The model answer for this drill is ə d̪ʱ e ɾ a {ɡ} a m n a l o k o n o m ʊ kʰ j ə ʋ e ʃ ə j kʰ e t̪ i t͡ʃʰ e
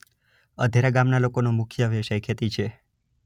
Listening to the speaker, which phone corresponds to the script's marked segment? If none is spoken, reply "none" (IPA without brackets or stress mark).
ɡ